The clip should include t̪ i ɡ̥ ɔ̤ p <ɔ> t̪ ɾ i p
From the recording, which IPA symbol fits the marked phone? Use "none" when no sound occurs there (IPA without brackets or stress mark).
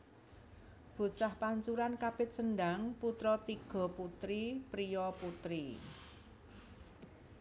u